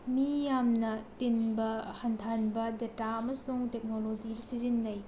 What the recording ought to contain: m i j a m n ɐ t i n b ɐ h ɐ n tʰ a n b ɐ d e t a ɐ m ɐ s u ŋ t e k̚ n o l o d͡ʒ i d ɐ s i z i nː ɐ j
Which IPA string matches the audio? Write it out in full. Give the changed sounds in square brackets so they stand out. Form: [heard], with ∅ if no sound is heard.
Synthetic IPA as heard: m i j a m n ɐ t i n b ɐ h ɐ n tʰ a n b ɐ d e t a ɐ m ɐ s u ŋ t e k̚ n o l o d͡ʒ i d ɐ s i z i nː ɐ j